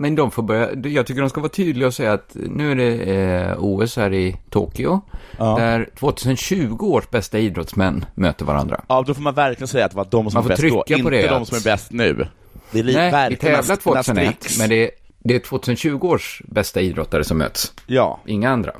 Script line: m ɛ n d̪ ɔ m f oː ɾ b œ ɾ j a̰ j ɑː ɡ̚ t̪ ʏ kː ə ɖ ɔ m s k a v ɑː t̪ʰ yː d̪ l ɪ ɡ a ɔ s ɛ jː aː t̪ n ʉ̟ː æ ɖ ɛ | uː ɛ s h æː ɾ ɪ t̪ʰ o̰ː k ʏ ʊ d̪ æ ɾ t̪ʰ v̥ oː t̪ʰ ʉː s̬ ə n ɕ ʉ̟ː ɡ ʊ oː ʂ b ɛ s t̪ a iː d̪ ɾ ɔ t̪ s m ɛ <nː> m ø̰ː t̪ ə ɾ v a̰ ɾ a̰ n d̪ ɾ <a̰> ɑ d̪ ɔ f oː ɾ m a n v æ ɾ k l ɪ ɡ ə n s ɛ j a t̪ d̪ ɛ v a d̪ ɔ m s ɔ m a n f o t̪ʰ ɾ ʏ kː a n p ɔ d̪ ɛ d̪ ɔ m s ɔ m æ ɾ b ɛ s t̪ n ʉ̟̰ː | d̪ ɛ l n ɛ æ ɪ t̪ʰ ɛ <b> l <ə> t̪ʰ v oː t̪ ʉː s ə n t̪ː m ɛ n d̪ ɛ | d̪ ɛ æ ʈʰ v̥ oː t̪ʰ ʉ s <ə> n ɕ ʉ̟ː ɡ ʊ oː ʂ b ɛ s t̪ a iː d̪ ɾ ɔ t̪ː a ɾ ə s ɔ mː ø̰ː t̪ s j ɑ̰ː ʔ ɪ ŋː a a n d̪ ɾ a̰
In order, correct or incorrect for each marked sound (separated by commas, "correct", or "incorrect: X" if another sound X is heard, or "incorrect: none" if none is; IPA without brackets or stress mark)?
correct, correct, incorrect: v, incorrect: a, correct